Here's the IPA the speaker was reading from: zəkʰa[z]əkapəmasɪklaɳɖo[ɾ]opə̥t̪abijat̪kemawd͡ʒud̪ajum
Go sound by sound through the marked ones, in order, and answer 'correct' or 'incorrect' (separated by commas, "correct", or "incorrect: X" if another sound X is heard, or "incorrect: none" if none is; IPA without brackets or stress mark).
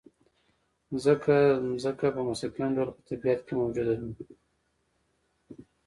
correct, incorrect: l